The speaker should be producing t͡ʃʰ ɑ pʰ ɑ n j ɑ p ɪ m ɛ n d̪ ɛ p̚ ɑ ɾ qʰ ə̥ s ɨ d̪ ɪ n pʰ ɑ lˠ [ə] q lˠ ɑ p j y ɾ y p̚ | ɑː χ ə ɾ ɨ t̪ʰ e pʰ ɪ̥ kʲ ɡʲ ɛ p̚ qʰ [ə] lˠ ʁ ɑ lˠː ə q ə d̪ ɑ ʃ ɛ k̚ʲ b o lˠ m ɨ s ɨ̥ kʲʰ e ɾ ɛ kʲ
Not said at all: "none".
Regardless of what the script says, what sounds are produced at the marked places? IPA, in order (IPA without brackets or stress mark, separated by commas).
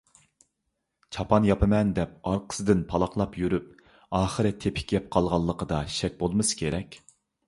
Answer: ɑ, ɑ